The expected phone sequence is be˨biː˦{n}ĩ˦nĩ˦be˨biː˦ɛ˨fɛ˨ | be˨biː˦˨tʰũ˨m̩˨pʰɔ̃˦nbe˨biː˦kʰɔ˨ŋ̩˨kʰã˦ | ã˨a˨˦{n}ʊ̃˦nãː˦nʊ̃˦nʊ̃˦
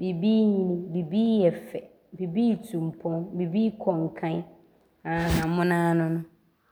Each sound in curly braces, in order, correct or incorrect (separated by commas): incorrect, incorrect